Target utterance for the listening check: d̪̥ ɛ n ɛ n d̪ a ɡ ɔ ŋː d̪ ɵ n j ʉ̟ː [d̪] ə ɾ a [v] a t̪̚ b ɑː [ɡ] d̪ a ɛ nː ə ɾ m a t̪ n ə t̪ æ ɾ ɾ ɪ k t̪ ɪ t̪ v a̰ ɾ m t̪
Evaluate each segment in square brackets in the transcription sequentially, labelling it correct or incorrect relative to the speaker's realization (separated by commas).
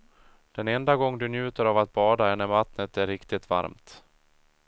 incorrect, correct, incorrect